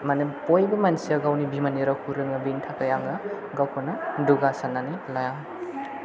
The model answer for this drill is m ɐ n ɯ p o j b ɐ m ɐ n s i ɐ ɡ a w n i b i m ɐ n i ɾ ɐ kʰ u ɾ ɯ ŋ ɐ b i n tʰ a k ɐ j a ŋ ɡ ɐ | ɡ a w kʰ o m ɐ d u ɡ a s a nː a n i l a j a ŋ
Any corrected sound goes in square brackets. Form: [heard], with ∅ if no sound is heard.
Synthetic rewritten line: m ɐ n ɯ p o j b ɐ m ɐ n s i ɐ ɡ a w n i b i m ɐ n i ɾ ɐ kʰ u ɾ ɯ ŋ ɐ b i n tʰ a k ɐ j a ŋ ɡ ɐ | ɡ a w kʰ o [n] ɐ d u ɡ a s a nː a n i l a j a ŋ